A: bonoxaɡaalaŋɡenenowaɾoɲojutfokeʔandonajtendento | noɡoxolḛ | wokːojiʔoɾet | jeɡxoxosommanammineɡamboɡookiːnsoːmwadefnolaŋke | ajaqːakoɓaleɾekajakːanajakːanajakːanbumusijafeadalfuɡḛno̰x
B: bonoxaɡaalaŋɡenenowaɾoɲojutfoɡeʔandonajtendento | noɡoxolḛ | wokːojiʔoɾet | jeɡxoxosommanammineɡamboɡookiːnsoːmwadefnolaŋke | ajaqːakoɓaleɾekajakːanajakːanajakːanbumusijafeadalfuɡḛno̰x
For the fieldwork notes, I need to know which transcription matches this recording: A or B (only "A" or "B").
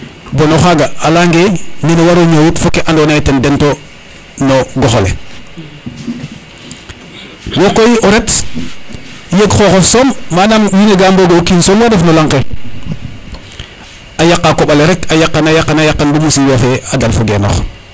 A